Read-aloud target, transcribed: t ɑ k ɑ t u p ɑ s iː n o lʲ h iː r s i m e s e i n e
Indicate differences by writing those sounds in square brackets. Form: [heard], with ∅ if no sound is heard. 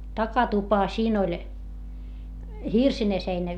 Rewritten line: t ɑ k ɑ t u p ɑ s iː n o lʲ h [i] r s i [n] e s e i n [æ]